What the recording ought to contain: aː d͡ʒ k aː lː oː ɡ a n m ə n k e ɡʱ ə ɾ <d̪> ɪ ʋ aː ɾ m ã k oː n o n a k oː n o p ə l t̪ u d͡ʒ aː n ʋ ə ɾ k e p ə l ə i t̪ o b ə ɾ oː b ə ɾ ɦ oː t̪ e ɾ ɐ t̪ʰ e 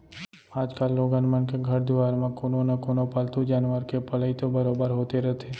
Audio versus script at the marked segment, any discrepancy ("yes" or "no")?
no